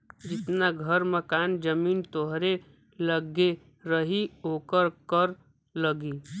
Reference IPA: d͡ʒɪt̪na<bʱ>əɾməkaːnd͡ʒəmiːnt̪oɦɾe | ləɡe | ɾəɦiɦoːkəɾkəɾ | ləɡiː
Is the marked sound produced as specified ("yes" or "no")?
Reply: no